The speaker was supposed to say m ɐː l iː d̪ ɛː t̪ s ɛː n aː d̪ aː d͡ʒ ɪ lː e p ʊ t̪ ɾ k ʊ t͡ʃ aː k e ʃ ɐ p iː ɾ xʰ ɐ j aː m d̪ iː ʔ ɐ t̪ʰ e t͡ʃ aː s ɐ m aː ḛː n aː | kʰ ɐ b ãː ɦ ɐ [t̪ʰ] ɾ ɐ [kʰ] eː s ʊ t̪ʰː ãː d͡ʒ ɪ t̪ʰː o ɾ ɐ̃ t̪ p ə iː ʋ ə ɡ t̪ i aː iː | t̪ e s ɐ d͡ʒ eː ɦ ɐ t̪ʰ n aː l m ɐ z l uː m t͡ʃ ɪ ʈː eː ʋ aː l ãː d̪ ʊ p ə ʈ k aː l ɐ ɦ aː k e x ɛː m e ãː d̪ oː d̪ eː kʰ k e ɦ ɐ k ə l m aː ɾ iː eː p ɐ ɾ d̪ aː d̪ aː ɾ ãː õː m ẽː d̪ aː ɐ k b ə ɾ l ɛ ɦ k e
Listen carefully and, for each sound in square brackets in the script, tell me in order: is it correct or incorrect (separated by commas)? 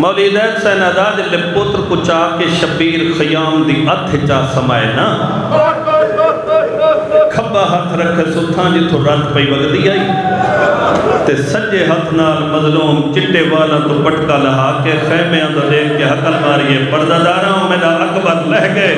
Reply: correct, correct